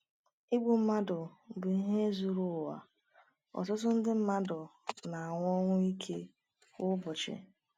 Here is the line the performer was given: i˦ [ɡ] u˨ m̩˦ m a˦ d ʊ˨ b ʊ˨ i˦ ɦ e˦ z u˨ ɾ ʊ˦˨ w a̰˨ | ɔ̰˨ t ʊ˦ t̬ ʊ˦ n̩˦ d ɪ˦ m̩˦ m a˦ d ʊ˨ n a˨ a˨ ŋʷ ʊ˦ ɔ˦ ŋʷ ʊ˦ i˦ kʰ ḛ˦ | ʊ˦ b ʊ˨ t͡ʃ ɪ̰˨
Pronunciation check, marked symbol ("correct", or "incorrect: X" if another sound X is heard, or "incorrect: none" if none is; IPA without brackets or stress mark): incorrect: ɡ͡b